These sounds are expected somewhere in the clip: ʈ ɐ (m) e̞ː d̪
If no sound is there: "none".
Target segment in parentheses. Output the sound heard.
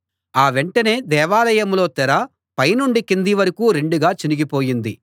n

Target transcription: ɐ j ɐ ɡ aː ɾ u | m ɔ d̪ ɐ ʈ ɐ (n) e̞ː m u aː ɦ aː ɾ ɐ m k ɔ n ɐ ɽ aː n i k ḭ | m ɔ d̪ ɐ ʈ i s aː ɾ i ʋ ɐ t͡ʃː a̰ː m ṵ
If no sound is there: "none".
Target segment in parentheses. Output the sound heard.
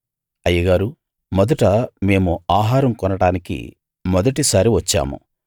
m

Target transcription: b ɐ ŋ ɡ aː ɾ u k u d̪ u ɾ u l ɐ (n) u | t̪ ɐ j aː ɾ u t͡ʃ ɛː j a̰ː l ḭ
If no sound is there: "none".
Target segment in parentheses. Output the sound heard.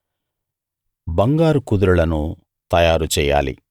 n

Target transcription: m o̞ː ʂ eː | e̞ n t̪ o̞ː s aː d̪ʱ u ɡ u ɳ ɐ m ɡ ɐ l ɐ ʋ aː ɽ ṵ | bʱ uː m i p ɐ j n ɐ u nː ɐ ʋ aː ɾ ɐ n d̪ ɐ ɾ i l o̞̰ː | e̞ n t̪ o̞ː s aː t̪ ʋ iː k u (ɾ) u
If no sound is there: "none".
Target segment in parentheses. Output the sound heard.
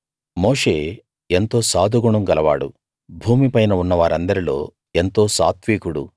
ɽ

